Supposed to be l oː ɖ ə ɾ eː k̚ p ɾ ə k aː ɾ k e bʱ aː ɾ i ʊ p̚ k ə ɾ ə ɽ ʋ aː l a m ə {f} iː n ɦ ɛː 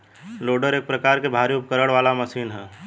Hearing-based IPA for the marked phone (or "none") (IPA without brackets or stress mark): s